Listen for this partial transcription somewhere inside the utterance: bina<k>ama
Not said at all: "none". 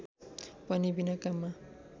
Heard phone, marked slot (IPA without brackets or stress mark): k